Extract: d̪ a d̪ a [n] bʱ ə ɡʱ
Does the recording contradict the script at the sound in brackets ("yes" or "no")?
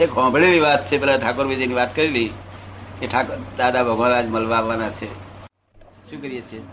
yes